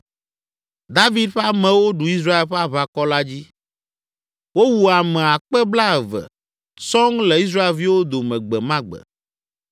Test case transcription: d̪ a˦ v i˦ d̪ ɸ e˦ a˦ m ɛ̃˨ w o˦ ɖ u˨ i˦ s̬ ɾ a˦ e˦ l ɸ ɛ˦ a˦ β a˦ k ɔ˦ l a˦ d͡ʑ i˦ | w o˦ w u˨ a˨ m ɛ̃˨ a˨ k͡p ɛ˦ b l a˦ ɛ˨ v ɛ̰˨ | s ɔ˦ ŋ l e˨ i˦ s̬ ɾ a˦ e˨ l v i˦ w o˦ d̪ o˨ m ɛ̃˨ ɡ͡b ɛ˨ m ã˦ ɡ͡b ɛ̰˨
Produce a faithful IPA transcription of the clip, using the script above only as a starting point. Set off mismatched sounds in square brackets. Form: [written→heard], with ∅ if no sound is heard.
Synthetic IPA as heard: d̪ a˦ v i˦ d̪ ɸ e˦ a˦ m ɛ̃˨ w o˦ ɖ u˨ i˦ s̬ ɾ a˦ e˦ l ɸ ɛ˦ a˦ β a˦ k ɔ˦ l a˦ d͡ʑ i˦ | w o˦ w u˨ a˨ m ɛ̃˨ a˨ k͡p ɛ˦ b l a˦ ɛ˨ v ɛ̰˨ | s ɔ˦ ŋ l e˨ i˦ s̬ ɾ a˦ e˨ l v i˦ w o˦ d̪ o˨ m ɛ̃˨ ɡ͡b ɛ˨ m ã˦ ɡ͡b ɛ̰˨